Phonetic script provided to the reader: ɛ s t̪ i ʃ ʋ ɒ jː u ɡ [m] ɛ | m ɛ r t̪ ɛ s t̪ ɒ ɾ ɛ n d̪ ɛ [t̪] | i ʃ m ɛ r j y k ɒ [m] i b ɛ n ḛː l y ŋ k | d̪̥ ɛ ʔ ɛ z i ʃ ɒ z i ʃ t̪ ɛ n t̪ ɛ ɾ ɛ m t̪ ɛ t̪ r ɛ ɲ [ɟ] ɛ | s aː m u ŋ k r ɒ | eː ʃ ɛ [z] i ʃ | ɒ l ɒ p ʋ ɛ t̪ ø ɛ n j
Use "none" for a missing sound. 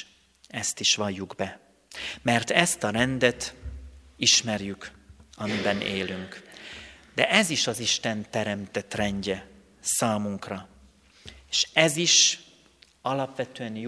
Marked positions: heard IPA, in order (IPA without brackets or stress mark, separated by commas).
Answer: b, t̪, m, ɟ, z